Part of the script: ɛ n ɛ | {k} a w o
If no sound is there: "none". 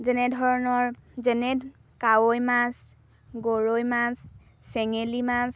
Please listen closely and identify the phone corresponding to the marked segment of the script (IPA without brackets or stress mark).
k